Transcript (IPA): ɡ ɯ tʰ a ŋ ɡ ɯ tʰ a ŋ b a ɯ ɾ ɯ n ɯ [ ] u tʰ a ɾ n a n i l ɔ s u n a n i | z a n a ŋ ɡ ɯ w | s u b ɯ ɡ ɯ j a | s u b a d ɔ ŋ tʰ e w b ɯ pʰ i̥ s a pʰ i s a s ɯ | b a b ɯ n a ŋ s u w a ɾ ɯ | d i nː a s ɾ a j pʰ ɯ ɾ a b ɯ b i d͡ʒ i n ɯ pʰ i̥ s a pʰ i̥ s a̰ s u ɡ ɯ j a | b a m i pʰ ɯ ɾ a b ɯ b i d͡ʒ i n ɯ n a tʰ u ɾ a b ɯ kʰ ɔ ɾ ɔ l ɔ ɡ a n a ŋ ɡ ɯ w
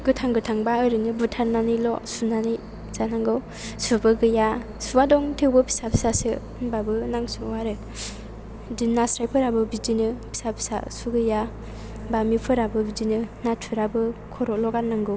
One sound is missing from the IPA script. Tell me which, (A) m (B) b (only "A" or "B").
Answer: B